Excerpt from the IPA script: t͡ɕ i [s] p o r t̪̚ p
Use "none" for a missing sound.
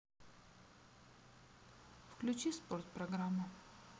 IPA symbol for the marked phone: s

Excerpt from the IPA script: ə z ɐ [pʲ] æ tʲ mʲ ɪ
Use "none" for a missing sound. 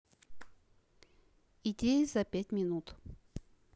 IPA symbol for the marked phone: pʲ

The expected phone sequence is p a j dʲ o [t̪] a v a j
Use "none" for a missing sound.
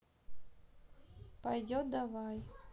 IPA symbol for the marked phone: d̪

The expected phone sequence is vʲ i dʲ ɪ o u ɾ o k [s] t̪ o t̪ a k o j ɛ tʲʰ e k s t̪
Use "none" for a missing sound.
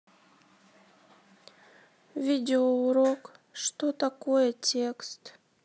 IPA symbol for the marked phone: ʂ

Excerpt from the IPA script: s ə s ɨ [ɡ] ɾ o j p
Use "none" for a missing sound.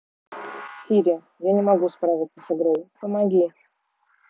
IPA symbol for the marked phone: ɡ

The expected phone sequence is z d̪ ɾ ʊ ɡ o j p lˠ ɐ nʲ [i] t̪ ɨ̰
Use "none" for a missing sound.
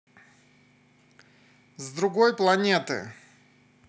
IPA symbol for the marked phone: e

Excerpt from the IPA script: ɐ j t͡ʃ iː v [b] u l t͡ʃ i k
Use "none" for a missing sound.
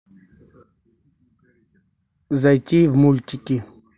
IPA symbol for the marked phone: m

